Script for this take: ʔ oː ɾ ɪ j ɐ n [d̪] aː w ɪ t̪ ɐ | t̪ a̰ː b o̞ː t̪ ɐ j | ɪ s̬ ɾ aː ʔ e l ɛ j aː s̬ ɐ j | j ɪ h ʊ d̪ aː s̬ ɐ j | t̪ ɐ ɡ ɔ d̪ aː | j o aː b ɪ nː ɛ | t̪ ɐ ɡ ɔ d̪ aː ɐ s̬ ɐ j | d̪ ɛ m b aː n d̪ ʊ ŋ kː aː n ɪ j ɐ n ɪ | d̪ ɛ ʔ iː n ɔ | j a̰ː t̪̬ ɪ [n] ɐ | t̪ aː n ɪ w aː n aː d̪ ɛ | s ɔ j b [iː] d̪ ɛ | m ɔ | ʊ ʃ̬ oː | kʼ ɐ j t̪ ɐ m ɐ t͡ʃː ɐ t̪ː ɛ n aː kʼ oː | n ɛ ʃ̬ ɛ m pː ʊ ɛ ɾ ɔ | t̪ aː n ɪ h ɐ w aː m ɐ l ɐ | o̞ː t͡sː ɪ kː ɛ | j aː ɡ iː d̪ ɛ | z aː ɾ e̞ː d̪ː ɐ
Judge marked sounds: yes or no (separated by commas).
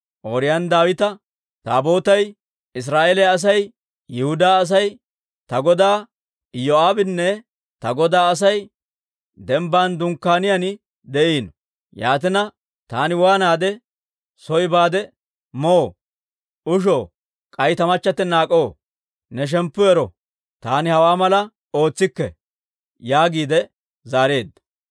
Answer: yes, yes, no